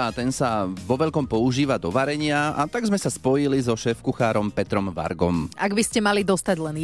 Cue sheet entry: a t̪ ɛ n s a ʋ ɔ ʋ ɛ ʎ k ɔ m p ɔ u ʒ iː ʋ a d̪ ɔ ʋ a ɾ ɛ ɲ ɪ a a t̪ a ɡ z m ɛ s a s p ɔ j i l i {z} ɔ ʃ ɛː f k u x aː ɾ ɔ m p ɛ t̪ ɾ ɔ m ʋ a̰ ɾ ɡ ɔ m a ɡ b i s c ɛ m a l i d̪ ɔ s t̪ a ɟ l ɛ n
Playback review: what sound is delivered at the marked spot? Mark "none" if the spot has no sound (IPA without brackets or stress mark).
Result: z